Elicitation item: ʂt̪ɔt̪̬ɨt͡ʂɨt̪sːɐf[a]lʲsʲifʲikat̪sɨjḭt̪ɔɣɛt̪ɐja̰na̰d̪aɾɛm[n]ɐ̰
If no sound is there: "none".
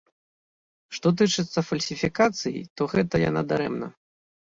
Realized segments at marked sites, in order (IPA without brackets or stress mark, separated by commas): ɐ, n